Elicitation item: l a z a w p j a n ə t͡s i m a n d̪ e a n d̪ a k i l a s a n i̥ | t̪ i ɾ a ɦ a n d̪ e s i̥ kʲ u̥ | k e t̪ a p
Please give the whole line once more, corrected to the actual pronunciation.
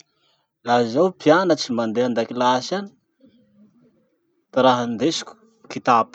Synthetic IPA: l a z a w p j a n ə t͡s i m a n d̪ e a n d̪ a k i l a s a n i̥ | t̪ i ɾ a ɦ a n d̪ e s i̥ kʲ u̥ | k i t̪ a p